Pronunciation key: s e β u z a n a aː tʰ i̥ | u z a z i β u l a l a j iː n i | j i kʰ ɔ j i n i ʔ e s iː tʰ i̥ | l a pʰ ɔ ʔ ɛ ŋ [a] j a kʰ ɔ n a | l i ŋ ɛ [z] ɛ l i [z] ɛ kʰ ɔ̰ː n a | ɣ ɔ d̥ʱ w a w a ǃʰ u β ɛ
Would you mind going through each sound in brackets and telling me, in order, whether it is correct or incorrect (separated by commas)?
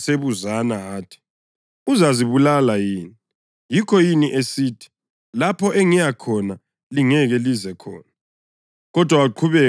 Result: incorrect, incorrect, correct